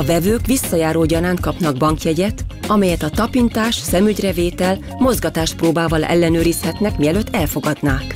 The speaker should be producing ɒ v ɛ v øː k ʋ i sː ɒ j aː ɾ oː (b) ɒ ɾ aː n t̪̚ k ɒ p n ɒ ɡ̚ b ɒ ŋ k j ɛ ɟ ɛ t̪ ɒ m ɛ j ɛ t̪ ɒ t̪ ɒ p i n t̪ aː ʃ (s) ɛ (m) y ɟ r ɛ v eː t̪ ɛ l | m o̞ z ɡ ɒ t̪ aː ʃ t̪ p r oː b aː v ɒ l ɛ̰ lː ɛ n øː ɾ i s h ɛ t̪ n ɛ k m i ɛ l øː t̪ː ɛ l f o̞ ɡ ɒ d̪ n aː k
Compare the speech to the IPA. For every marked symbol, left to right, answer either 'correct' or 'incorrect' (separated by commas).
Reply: incorrect, correct, correct